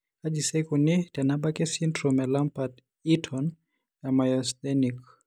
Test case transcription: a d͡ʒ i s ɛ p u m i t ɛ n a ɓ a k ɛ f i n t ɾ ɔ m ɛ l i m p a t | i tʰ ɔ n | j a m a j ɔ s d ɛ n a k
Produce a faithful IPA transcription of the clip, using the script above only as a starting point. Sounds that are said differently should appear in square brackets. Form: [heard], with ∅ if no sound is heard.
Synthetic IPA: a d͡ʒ i s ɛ [k] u [n] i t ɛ n a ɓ a k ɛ [s] i n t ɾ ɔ m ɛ l [a] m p a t | i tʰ ɔ n | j a m a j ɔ s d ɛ n [i] k